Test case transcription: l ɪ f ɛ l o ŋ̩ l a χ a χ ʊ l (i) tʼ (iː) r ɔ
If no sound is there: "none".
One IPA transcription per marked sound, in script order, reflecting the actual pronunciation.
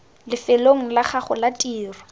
a, iː

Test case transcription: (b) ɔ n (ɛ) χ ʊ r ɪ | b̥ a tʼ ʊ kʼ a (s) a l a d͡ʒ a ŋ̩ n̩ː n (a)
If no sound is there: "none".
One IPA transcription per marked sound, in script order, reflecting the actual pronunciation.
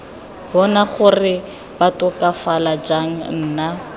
b, a, f, a

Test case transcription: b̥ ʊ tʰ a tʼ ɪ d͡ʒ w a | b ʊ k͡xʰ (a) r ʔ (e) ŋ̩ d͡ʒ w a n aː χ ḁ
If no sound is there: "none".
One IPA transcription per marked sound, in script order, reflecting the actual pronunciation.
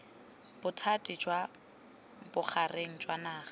a, e

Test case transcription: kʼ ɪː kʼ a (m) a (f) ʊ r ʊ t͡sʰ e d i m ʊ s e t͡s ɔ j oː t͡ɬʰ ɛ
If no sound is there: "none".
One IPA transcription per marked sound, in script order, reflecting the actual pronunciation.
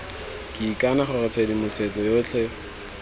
n, χ

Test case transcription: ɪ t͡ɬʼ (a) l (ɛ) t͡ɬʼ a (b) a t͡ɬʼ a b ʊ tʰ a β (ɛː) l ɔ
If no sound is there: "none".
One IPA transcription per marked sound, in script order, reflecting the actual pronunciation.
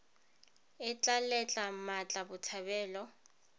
a, ɛ, m, ɛː

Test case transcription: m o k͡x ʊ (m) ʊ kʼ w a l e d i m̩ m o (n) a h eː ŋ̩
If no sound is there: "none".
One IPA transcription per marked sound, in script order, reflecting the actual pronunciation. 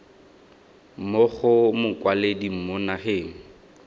m, n

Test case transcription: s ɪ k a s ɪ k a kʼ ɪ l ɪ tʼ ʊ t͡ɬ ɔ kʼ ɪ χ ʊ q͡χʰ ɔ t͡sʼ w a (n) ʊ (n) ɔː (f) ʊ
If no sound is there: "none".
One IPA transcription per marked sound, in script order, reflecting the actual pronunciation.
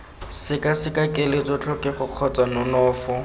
n, n, f

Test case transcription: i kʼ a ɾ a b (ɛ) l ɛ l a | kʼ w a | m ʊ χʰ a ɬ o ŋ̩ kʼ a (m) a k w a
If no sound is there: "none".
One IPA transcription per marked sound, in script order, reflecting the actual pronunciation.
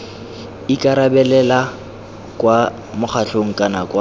ɛ, n

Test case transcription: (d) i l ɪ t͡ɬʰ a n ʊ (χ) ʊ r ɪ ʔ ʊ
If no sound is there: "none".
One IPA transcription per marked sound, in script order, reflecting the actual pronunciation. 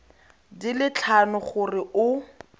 d, χ

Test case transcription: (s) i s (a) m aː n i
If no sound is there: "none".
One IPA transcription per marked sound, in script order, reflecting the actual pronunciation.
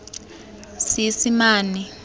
s, i

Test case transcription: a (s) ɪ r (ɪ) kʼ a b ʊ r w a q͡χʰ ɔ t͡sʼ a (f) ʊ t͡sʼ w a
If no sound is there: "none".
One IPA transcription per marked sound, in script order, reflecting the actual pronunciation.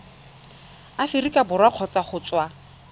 f, i, χ

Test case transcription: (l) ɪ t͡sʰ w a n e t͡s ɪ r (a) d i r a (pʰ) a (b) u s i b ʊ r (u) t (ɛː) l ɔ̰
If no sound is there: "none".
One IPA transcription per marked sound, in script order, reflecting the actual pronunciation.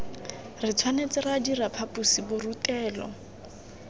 r, a, pʰ, p, u, ɛː

